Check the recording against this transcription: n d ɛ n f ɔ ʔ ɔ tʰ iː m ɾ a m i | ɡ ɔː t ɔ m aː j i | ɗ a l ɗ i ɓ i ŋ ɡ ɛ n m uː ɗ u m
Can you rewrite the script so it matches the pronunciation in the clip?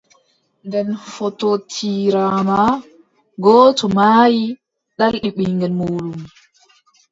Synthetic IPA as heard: n d ɛ n f ɔ t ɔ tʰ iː ɾ a m a | ɡ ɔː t ɔ m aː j i | ɗ a l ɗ i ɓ i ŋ ɡ ɛ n m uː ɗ u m